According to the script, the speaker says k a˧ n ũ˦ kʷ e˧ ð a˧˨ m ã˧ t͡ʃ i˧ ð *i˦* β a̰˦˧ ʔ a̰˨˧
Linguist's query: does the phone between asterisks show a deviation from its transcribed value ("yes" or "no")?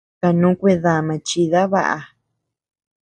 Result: yes